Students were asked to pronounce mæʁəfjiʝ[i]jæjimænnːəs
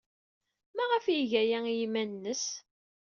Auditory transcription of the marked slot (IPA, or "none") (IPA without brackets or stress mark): æ